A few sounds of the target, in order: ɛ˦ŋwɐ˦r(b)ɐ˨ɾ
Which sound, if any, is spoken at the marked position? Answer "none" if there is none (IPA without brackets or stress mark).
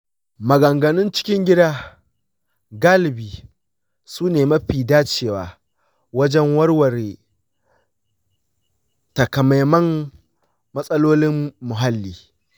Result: w